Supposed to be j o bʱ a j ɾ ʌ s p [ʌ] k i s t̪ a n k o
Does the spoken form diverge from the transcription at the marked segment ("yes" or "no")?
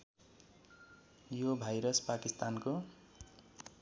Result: yes